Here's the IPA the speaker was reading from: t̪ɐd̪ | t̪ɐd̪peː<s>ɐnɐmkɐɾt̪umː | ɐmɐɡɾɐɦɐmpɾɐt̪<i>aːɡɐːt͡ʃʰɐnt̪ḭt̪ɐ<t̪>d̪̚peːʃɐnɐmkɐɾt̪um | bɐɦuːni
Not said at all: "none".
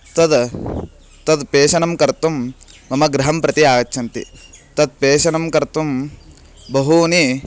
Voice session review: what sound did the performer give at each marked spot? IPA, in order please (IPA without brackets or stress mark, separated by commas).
ʃ, i, none